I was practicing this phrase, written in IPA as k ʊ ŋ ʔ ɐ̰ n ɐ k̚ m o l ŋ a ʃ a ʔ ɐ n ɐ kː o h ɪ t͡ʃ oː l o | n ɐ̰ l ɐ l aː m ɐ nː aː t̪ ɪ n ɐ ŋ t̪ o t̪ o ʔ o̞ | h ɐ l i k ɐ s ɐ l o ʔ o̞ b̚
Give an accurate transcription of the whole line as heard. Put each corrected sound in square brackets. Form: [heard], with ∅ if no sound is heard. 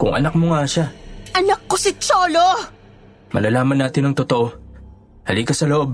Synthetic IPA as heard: k ʊ ŋ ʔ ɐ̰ n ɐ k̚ m o [∅] ŋ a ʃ a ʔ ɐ n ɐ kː o [s] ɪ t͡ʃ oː l o | [m] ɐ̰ l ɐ l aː m ɐ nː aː t̪ ɪ n ɐ ŋ t̪ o t̪ o ʔ o̞ | h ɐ l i k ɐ s ɐ l o ʔ o̞ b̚